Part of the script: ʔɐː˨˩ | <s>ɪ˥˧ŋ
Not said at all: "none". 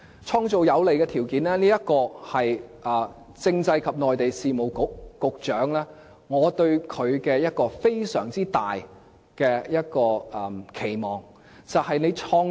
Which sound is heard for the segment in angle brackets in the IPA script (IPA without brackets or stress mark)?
t͡s